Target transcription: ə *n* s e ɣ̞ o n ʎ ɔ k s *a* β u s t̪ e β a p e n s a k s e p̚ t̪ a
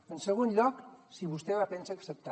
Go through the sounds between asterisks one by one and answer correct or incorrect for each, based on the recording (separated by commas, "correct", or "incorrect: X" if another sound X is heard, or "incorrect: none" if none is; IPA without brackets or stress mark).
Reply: correct, incorrect: i